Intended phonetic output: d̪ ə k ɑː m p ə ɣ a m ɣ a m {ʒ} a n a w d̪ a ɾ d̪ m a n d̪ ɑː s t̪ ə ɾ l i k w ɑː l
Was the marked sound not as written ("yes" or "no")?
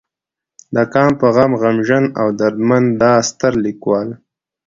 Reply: no